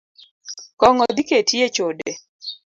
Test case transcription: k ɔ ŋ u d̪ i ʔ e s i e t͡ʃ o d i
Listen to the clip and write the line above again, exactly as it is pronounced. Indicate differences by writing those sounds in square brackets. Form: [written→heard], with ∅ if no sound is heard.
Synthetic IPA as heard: k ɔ ŋ [u→ɔ] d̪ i [ʔ→k] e [s→t] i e t͡ʃ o d [i→e]